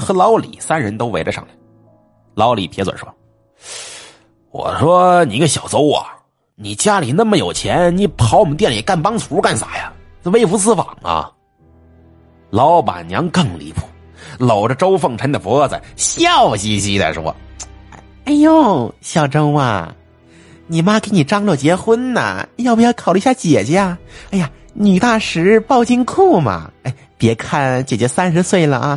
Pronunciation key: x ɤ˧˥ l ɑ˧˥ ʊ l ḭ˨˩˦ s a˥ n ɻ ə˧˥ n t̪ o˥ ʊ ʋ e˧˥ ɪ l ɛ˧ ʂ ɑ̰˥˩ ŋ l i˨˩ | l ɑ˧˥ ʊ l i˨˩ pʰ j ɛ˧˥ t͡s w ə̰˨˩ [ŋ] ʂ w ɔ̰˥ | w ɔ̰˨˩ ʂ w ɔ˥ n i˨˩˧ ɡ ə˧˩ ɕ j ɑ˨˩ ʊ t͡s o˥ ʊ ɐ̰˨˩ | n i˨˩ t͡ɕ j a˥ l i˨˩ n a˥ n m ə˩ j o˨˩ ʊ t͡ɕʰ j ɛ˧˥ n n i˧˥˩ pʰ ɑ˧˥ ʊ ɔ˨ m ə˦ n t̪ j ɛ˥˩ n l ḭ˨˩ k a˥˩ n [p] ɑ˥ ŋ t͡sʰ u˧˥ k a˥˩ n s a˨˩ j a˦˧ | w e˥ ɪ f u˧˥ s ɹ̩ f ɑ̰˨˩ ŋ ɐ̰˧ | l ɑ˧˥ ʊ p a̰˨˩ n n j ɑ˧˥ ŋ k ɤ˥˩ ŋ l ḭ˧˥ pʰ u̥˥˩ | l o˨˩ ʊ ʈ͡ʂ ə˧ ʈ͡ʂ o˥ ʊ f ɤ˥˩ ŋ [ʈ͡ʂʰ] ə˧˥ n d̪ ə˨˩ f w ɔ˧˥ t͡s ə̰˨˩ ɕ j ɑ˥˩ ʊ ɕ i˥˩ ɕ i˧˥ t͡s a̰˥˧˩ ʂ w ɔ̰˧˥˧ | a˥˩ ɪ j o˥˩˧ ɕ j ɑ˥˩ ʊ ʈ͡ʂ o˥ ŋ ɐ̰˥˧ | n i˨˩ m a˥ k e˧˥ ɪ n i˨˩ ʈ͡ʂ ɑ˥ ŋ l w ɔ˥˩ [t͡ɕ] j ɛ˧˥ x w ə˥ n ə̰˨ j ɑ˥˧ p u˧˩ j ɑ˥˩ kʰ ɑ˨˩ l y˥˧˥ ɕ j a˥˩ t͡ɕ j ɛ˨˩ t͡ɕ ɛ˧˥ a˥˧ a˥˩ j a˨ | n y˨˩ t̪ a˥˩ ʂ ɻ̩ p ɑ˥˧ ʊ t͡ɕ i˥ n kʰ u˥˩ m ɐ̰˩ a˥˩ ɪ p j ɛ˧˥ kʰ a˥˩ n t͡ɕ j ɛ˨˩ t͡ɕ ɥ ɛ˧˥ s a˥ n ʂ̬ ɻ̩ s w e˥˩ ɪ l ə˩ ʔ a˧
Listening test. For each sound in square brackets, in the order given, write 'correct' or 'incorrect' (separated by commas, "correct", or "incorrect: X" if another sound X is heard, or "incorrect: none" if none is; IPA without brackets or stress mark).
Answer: incorrect: n, correct, correct, correct